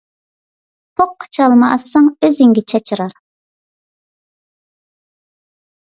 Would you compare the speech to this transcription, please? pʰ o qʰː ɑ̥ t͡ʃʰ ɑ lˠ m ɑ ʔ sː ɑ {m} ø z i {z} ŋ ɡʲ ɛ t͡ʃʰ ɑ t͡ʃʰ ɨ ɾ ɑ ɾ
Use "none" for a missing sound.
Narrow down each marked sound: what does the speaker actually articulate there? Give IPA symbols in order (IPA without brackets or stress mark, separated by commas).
ŋ, none